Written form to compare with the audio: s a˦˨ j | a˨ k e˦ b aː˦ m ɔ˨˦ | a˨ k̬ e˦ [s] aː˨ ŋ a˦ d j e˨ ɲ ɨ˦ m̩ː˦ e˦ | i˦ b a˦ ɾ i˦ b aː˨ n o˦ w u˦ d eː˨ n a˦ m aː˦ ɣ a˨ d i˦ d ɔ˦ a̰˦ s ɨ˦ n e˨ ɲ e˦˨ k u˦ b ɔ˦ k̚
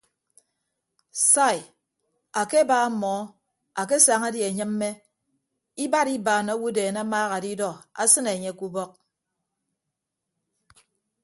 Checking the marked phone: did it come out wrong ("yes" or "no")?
no